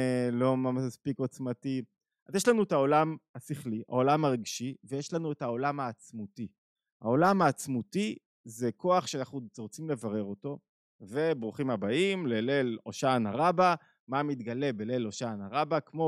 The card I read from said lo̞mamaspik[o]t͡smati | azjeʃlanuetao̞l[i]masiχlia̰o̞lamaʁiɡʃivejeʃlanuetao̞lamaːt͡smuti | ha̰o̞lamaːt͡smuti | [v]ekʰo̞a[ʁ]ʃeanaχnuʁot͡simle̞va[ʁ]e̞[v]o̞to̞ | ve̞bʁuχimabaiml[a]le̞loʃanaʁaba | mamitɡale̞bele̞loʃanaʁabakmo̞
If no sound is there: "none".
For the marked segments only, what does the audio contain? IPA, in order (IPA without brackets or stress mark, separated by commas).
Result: o, a, z, χ, ʁ, ʁ, e